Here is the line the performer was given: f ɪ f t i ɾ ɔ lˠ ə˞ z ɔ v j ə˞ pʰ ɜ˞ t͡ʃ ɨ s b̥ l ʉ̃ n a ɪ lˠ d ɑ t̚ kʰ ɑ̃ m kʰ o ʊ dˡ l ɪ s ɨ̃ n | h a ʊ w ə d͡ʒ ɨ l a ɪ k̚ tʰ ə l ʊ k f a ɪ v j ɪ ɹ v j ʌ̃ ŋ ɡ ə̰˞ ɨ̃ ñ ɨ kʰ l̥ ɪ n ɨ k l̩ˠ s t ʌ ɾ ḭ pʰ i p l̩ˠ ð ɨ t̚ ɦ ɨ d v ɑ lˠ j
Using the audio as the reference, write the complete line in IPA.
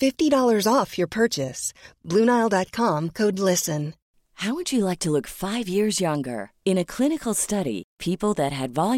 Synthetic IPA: f ɪ f t i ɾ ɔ lˠ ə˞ z ɔ f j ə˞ pʰ ɜ˞ t͡ʃ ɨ s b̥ l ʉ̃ n a ɪ lˠ d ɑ t̚ kʰ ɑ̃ m kʰ o ʊ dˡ l ɪ s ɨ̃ n | h a ʊ w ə d͡ʒ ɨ l a ɪ k̚ tʰ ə l ʊ k f a ɪ v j ɪ ɹ z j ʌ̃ ŋ ɡ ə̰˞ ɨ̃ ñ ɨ kʰ l̥ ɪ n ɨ k l̩ˠ s t ʌ ɾ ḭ pʰ i p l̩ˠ ð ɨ t̚ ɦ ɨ d v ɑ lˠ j